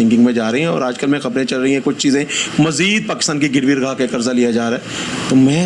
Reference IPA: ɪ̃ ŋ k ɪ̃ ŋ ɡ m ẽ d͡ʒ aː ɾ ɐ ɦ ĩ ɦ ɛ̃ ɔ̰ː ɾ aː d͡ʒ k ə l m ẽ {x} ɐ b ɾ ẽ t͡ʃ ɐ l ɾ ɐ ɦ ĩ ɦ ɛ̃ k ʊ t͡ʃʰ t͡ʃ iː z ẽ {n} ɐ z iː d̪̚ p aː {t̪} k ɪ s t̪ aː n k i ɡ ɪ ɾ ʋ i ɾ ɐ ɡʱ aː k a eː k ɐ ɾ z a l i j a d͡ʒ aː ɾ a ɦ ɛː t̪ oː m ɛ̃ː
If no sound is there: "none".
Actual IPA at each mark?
x, m, none

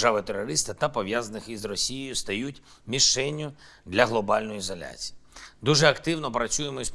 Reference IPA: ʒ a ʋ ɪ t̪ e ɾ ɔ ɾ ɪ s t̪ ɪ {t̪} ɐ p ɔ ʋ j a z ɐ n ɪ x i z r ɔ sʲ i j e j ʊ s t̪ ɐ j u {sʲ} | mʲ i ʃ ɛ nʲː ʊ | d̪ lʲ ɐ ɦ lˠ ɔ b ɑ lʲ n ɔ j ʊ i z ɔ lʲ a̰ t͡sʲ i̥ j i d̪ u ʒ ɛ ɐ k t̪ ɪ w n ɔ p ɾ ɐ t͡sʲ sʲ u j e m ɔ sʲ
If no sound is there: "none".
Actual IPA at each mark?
t̪, tʲ

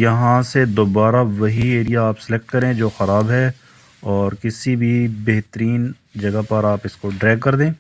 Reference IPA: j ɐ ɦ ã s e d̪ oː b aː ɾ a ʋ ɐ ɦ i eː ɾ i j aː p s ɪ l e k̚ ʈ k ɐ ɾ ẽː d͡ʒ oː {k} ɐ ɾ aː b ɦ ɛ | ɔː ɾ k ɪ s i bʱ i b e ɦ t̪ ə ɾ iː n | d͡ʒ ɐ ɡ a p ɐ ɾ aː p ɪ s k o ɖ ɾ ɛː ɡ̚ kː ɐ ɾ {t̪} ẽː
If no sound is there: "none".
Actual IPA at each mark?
x, d̪

